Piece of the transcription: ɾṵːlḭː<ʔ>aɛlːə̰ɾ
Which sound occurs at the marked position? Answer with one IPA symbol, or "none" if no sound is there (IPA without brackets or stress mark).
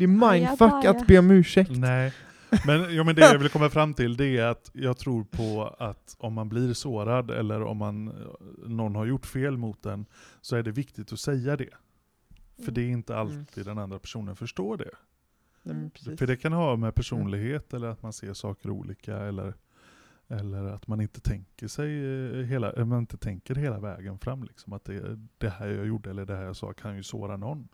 k